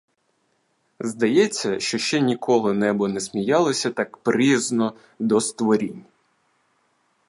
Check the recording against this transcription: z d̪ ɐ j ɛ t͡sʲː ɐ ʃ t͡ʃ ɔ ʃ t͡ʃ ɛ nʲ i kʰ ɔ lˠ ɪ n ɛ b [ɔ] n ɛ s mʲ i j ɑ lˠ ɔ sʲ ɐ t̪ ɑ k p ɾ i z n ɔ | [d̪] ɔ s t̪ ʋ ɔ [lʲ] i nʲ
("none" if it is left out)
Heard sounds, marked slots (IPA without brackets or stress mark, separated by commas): ɔ, d̪, ɾʲ